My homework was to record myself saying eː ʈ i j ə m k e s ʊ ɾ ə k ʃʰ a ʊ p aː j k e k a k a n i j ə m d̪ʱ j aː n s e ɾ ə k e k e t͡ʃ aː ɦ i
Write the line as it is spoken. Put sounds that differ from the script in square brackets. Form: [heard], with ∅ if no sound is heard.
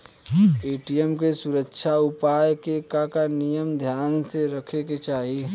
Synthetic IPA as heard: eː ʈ i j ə m k e s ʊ ɾ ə k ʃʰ a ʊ p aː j k e k a k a n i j ə m d̪ʱ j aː n s e ɾ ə [kʰ] e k e t͡ʃ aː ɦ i